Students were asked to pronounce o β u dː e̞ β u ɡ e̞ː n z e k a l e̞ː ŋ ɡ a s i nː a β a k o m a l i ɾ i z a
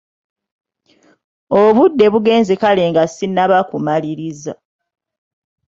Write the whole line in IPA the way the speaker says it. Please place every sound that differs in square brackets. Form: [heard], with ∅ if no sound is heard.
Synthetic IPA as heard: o β u dː e̞ β u ɡ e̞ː n z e k a l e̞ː ŋ ɡ a s i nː a β a k [u] m a l i ɾ i z a